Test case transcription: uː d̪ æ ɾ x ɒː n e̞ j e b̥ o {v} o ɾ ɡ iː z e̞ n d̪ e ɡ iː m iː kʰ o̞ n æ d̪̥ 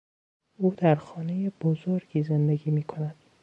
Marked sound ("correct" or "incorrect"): incorrect